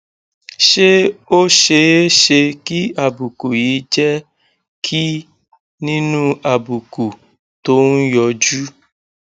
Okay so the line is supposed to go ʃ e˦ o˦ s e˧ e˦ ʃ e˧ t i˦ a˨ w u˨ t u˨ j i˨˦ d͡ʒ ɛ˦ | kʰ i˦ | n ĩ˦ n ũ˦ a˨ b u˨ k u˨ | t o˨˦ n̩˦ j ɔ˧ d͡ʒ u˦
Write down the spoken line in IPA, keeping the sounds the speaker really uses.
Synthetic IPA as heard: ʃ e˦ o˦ ʃ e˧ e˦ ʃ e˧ k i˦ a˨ b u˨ k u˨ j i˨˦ d͡ʒ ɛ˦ | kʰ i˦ | n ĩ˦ n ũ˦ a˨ b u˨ k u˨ | t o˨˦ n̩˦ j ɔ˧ d͡ʒ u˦